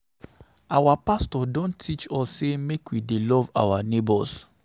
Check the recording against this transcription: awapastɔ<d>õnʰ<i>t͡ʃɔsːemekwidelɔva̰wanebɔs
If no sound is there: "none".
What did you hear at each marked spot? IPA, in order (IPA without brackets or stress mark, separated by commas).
d, i